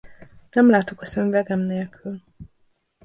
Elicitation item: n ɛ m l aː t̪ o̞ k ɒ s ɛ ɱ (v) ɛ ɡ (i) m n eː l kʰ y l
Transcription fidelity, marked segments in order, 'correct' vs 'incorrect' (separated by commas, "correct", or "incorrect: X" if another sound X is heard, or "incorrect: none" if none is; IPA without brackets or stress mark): correct, incorrect: ɛ